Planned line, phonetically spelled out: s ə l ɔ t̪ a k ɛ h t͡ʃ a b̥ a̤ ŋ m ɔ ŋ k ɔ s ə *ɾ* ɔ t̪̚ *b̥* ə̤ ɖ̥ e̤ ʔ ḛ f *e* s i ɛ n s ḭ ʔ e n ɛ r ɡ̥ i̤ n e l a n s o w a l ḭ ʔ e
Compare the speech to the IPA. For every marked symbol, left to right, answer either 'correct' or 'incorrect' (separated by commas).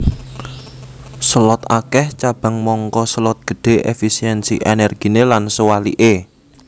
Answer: incorrect, incorrect, incorrect